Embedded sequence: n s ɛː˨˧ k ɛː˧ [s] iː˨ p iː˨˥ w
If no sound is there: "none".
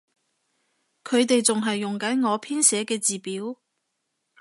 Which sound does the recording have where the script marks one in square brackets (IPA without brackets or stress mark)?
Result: t͡s